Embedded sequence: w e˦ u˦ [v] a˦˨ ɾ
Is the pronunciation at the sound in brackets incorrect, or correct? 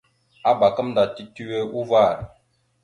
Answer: correct